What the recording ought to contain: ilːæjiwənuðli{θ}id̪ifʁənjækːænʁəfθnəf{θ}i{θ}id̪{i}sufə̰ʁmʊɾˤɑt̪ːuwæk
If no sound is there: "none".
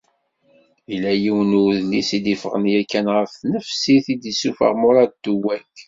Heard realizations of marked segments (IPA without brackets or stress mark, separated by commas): s, s, θ, i